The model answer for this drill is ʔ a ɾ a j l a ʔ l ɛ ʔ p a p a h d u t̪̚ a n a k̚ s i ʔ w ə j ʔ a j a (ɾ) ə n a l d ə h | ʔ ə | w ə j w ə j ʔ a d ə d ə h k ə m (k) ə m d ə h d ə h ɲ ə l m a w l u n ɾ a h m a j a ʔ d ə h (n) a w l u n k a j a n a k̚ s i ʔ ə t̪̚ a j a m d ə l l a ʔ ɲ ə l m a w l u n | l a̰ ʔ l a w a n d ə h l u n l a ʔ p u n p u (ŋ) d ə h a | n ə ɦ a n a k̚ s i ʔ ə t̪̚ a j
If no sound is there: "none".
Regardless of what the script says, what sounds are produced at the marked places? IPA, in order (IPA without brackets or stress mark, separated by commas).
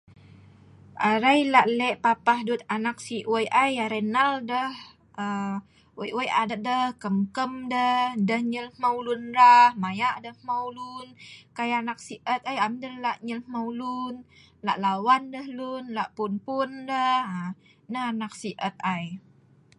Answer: ɾ, k, m, n